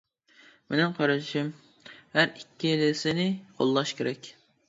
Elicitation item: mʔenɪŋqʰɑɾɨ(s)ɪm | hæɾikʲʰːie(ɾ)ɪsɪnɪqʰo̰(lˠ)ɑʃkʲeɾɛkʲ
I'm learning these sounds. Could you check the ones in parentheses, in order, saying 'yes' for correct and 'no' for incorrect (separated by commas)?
no, no, no